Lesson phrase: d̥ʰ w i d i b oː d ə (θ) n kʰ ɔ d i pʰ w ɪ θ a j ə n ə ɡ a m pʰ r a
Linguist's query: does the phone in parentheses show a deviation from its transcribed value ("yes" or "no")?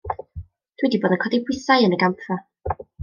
yes